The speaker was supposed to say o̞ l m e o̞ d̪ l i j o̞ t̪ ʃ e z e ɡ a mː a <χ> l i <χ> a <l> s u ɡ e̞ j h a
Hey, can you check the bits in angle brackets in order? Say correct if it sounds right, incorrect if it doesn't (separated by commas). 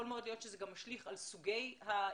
incorrect, correct, correct